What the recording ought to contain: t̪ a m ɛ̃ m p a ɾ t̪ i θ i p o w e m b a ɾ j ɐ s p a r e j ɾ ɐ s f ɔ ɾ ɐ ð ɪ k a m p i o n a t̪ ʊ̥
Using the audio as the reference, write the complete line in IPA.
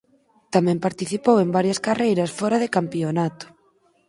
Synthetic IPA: t̪ a m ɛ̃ m p a ɾ t̪ i θ i p o w e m b a ɾ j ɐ s k a r e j ɾ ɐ s f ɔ ɾ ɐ ð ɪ k a m p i o n a t̪ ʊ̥